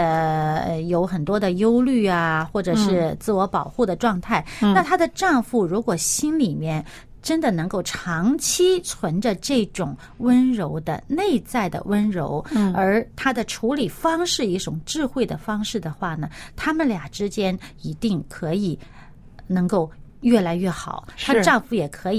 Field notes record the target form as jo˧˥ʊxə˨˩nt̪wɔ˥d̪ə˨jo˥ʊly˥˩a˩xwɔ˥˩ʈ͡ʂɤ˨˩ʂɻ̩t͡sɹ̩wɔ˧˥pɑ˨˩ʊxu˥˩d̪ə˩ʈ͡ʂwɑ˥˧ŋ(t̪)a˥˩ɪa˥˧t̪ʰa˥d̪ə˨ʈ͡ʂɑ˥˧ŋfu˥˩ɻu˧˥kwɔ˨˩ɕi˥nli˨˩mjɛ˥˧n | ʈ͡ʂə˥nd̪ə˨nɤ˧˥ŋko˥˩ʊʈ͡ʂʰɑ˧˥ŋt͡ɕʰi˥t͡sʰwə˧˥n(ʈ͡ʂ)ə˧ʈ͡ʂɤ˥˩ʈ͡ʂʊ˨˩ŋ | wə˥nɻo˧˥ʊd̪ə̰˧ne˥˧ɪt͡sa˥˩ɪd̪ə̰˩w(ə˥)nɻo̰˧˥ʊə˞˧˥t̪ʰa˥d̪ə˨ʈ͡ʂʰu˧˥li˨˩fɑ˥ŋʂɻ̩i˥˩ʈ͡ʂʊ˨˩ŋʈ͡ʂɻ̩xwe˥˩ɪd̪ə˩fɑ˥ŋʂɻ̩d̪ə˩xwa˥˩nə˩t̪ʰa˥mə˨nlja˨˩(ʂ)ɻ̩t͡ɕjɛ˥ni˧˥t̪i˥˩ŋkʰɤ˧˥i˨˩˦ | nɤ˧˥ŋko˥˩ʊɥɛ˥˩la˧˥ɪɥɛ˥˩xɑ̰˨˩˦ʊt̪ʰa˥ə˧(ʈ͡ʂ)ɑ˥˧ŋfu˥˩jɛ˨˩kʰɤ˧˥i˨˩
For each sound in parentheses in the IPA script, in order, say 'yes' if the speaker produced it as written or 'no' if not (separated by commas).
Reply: no, yes, yes, no, yes